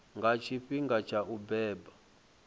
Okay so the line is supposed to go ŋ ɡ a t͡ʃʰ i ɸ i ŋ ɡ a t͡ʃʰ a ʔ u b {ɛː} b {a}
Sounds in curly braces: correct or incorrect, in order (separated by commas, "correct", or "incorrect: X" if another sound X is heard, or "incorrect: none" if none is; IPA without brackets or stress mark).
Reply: correct, correct